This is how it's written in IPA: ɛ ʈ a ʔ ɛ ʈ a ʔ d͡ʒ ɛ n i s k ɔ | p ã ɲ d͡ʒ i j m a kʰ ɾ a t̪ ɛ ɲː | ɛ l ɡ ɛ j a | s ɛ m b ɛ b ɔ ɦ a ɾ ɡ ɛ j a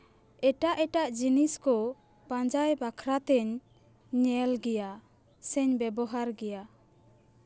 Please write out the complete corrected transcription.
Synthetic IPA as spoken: ɛ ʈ a ʔ ɛ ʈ a ʔ d͡ʒ i n i s k ɔ | p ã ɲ d͡ʒ a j b a kʰ ɾ a t̪ ɛ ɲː | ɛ l ɡ ɛ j a | s ɛ ɲ b ɛ b ɔ ɦ a ɾ ɡ ɛ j a